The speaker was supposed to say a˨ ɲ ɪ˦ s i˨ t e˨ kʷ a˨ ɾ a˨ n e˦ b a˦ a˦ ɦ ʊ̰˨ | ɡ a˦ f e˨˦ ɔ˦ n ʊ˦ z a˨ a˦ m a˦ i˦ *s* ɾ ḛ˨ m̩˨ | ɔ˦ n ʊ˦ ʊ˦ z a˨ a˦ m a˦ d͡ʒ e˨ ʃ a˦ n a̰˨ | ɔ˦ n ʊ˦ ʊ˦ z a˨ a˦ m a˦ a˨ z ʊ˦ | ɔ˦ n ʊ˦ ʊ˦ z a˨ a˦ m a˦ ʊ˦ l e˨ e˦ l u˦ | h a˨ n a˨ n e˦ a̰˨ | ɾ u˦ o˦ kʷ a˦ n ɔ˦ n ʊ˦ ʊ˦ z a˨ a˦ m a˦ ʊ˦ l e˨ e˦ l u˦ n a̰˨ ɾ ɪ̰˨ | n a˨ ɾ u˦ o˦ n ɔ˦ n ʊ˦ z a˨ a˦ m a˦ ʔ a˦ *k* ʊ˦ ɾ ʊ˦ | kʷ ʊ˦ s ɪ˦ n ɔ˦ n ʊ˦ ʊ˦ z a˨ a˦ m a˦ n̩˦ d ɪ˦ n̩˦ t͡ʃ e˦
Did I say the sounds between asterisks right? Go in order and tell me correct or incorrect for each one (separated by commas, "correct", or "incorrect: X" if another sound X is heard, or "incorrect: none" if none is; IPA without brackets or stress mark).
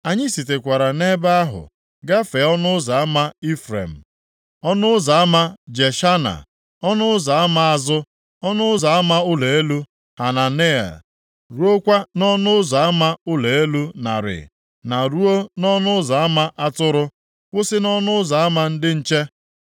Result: incorrect: f, incorrect: t